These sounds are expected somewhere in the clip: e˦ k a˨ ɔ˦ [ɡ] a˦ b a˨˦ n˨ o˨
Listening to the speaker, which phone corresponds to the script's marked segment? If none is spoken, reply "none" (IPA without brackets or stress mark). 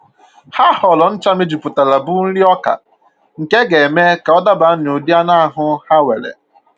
d